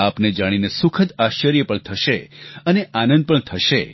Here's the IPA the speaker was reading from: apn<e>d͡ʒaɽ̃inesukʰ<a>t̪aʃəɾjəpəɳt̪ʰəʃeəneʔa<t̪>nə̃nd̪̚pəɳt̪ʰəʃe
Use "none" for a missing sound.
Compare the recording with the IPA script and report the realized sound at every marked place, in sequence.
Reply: e, ə, none

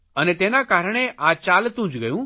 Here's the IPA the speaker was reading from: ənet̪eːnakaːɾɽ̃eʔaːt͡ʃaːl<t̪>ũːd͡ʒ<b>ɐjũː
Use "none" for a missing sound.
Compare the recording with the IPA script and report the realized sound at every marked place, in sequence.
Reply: t̪, ɡ

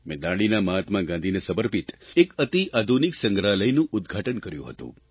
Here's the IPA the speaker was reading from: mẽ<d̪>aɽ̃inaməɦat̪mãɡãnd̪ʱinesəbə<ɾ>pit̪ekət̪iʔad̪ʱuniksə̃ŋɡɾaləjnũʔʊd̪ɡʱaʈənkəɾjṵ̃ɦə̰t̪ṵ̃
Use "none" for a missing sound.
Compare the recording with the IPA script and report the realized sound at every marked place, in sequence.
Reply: d̪, ɾ

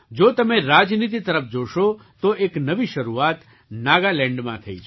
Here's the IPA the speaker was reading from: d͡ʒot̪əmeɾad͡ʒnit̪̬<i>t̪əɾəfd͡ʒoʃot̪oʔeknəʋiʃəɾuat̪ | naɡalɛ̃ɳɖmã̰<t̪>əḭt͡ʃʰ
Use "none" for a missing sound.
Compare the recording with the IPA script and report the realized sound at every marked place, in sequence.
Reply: i, t̪ʰ

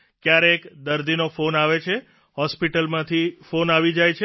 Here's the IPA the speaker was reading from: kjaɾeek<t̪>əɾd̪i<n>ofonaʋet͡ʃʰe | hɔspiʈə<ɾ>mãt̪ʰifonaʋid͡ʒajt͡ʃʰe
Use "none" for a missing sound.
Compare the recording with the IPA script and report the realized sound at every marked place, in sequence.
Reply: d̪, n, l

